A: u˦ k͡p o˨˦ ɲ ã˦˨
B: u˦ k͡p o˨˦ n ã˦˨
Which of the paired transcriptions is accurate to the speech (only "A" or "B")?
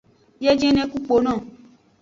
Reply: B